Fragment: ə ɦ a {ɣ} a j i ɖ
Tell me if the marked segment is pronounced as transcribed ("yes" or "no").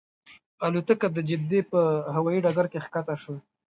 no